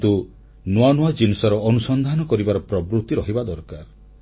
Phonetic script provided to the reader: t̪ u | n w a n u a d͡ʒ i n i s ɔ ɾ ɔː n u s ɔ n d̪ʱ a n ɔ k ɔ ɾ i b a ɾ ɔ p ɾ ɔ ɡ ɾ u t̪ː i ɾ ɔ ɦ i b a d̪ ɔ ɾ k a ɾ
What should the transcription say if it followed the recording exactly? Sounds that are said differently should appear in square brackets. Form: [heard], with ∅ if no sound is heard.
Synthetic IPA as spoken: t̪ u | n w a n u a d͡ʒ i n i s ɔ ɾ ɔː n u s ɔ n d̪ʱ a n ɔ k ɔ ɾ i b a ɾ ɔ p ɾ ɔ [b] ɾ u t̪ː i ɾ ɔ ɦ i b a d̪ ɔ ɾ k a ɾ

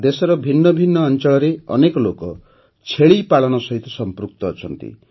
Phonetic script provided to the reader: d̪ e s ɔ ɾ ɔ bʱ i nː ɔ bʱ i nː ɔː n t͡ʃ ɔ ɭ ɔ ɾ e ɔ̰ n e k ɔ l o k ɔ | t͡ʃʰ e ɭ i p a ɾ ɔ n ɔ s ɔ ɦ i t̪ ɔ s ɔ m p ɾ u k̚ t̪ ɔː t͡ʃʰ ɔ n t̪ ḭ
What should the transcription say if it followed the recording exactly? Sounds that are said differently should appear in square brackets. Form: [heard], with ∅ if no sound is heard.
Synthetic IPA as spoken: d̪ e s ɔ ɾ ɔ bʱ i nː ɔ bʱ i nː ɔː n t͡ʃ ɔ ɭ ɔ ɾ e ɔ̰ n e k ɔ l o k ɔ | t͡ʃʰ e ɭ i p a [ɭ] ɔ n ɔ s ɔ ɦ i t̪ ɔ s ɔ m p ɾ u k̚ t̪ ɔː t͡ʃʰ ɔ n t̪ ḭ

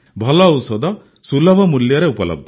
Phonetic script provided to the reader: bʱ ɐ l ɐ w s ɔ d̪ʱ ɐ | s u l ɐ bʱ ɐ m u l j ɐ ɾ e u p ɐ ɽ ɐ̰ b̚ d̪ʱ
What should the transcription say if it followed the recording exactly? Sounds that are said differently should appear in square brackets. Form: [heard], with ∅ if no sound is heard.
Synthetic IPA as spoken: bʱ ɐ l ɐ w s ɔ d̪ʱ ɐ | s u l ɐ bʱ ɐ m u l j ɐ ɾ e u p ɐ [l] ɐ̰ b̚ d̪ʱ

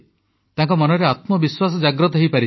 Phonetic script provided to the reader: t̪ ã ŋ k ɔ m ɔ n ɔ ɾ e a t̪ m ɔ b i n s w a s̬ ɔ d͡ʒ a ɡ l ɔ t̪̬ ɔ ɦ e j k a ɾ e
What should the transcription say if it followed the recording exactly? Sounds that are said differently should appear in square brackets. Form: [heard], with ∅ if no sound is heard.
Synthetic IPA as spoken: t̪ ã ŋ k ɔ m ɔ n ɔ ɾ e a t̪ m ɔ b i [∅] s w a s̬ ɔ d͡ʒ a ɡ [ɾ] ɔ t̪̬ ɔ ɦ e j [p] a ɾ [i]

